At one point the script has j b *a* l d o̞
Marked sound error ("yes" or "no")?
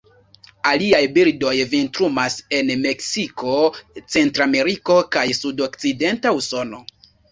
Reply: yes